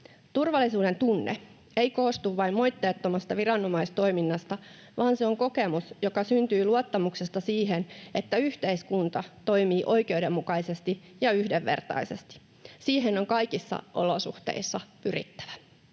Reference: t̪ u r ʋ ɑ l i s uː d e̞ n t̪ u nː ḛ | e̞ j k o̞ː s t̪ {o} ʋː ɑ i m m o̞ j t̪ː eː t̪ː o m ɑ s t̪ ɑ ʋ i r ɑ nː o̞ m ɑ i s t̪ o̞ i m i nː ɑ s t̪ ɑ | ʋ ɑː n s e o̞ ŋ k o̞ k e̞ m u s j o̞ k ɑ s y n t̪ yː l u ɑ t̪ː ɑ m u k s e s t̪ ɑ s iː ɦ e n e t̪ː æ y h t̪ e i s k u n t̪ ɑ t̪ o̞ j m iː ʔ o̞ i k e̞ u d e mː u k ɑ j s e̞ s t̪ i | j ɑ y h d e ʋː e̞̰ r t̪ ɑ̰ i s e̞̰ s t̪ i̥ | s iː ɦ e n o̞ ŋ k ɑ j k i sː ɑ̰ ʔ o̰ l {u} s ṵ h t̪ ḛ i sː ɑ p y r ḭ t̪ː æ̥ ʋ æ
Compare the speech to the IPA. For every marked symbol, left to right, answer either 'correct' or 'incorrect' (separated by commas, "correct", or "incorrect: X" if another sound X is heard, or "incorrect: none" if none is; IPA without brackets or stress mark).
incorrect: u, incorrect: o